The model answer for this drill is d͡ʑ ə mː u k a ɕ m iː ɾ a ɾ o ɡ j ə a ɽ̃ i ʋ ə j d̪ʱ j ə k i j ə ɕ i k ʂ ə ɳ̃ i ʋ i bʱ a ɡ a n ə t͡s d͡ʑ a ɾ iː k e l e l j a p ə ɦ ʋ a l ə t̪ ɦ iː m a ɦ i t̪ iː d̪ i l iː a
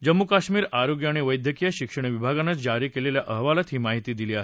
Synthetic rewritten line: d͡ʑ ə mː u k a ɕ m iː ɾ a ɾ o ɡ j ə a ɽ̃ i ʋ ə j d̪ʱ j ə k i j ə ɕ i k ʂ ə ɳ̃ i ʋ i bʱ a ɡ a n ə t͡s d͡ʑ a ɾ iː k e l e l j a ʔ ə ɦ ʋ a l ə t̪ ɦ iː m a ɦ i t̪ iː d̪ i l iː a